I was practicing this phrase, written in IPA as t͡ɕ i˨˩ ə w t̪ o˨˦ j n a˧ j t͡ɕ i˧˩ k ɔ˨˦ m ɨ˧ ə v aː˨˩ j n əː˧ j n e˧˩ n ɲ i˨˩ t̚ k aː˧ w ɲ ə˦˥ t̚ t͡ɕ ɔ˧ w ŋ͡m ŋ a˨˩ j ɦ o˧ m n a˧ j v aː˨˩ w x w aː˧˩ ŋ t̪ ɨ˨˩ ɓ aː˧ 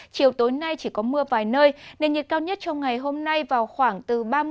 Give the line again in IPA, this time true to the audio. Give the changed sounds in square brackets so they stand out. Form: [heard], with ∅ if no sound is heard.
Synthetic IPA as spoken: t͡ɕ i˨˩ ə w t̪ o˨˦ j n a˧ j t͡ɕ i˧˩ k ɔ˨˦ m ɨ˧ ə v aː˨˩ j n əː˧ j n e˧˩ n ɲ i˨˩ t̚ k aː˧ w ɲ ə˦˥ t̚ t͡ɕ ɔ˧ w ŋ͡m ŋ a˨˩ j ɦ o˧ m n a˧ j v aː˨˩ w x w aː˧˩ ŋ t̪ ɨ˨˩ ɓ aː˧